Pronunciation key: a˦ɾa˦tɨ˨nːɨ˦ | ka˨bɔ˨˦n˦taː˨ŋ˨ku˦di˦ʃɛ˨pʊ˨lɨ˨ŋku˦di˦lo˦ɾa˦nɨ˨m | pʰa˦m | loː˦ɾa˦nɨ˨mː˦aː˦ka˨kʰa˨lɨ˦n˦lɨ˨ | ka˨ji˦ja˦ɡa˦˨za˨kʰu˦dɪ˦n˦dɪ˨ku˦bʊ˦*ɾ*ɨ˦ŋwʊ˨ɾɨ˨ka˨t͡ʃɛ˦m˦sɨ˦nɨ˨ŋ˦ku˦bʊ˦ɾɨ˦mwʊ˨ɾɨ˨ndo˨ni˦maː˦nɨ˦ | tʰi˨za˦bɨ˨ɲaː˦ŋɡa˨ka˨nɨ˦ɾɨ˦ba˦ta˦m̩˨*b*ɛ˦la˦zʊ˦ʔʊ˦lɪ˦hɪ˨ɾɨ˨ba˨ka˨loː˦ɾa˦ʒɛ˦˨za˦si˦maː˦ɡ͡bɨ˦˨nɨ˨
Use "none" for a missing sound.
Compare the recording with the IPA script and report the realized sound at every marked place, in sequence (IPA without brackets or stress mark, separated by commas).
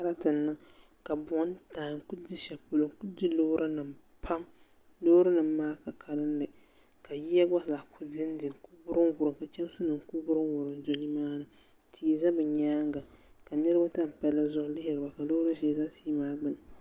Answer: ɾ, p